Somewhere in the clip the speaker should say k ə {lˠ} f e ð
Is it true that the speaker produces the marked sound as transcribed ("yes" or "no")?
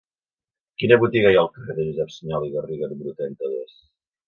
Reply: no